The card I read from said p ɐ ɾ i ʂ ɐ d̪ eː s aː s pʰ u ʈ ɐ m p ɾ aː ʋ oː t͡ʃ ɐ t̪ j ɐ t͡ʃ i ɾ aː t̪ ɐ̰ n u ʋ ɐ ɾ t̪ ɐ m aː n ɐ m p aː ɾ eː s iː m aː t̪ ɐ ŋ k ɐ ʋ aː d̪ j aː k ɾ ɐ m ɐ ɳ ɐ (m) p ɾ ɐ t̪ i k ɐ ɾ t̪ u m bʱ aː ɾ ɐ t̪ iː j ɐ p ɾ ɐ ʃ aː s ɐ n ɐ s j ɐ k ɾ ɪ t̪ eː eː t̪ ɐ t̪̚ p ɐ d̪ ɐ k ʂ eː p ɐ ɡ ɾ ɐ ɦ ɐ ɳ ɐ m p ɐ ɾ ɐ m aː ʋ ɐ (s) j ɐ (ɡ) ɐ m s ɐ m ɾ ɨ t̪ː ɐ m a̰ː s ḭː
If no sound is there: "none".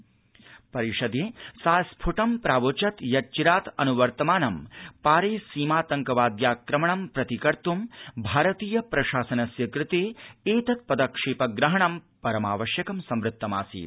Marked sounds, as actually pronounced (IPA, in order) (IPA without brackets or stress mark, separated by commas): m, ʃ, k